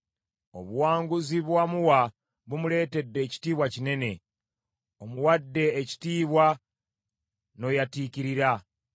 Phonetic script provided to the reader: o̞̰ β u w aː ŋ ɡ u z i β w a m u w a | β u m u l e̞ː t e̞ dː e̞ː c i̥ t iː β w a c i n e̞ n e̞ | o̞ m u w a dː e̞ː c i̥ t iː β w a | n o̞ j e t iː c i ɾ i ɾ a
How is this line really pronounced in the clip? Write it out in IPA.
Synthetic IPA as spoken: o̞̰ β u w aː ŋ ɡ u z i β w a m u w a | β u m u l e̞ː t e̞ dː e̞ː c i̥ t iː β w a c i n e̞ n e̞ | o̞ m u w a dː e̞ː c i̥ t iː β w a | n o̞ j a t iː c i ɾ i ɾ a